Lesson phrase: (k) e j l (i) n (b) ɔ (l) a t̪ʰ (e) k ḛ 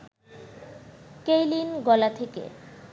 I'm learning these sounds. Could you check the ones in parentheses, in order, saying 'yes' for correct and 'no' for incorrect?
yes, yes, no, yes, yes

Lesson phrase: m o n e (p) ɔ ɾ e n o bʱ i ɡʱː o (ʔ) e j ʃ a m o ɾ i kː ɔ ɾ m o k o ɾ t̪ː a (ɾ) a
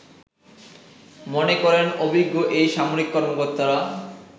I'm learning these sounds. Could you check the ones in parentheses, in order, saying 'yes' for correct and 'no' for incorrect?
no, yes, yes

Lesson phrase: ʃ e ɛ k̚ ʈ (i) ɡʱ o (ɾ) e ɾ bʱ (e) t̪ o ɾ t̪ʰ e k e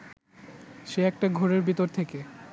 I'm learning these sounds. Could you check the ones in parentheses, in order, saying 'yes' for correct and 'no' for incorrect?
no, yes, no

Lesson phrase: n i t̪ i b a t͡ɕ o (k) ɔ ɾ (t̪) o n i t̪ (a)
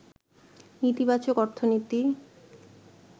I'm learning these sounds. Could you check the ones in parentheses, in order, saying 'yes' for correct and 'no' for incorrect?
yes, no, no

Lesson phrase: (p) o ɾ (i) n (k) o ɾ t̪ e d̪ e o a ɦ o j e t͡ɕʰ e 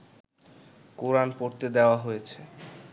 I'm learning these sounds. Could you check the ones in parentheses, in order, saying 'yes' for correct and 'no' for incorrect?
no, no, no

